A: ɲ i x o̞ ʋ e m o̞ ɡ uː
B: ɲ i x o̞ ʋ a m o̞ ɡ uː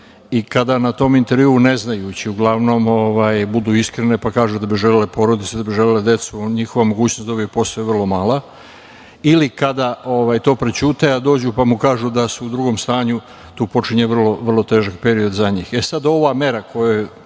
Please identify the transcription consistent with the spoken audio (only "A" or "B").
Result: B